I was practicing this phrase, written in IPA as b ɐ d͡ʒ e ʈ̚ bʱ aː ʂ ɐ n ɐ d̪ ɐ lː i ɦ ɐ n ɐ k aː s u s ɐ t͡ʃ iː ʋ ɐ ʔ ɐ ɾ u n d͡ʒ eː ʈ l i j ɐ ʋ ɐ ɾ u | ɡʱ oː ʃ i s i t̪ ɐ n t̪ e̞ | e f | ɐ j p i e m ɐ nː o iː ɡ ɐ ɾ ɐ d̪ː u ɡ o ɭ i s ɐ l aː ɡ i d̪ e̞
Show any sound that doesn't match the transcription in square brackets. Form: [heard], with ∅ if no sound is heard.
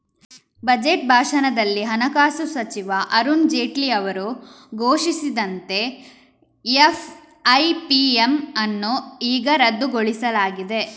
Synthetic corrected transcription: b ɐ d͡ʒ e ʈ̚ bʱ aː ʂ ɐ n ɐ d̪ ɐ lː i ɦ ɐ n ɐ k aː s u s ɐ t͡ʃ [i] ʋ ɐ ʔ ɐ ɾ u n d͡ʒ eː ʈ l i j ɐ ʋ ɐ ɾ u | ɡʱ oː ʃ i s i [d̪] ɐ n t̪ e̞ | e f | ɐ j p i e m ɐ nː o iː ɡ ɐ ɾ ɐ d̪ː u ɡ o ɭ i s ɐ l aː ɡ i d̪ e̞